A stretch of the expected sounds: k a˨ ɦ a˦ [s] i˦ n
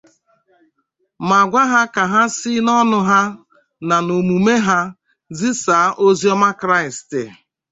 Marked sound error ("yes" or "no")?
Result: no